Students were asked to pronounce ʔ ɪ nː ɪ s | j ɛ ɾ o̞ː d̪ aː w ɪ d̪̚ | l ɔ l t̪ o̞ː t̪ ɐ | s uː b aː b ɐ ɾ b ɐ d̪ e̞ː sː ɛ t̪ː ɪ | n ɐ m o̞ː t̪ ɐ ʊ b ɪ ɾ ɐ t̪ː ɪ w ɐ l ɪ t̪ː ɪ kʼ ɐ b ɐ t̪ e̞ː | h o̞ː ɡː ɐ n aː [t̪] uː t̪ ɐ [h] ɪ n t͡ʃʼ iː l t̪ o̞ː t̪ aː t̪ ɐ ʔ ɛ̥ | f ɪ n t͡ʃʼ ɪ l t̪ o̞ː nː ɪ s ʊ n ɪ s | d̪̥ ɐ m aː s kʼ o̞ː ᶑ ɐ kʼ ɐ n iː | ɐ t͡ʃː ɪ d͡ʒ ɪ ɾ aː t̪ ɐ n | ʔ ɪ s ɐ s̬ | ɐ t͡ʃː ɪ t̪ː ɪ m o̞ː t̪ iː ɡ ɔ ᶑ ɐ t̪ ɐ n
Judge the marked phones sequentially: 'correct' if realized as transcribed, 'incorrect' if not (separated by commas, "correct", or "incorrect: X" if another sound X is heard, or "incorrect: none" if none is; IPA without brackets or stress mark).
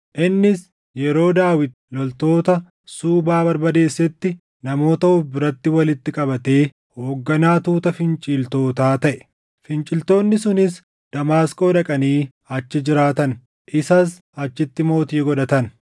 correct, incorrect: f